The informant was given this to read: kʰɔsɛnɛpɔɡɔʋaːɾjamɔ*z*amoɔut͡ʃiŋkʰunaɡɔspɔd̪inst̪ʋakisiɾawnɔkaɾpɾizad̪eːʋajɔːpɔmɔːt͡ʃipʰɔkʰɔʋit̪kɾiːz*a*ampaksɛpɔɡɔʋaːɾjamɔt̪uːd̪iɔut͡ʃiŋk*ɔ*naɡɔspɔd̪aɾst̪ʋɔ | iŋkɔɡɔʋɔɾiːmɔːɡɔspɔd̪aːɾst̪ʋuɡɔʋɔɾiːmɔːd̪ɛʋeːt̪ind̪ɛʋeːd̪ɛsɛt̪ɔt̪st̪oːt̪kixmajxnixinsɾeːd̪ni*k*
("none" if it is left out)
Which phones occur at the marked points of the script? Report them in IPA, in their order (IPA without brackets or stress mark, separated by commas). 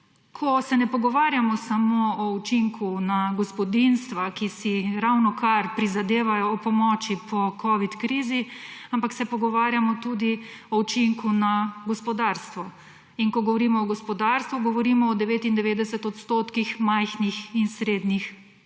s, i, u, x